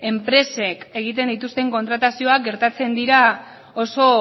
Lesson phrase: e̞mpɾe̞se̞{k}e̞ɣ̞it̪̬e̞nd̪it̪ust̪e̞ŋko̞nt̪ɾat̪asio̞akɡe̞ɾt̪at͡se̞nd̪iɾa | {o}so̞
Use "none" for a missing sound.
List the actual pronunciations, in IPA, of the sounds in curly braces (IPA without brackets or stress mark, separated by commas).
k, o